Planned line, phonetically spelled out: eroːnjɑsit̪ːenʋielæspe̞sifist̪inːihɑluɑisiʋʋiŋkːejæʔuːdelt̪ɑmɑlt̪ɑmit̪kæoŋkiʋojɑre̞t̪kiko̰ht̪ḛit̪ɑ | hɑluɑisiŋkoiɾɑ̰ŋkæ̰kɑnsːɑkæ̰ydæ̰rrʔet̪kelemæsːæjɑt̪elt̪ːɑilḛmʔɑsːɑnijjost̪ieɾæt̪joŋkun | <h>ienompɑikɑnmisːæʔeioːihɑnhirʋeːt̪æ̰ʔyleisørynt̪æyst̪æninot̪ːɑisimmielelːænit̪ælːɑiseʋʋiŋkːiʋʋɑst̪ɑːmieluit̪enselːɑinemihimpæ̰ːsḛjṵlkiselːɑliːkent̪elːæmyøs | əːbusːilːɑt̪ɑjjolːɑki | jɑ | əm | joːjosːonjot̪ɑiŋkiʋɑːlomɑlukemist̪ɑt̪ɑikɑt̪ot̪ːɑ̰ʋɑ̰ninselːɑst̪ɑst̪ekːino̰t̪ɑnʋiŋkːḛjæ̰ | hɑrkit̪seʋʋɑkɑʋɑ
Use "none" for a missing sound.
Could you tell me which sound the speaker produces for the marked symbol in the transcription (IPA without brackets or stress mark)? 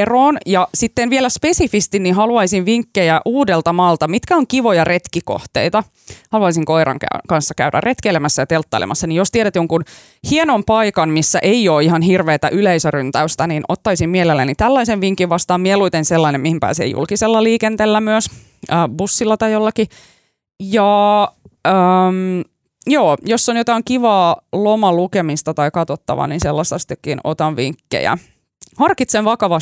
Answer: h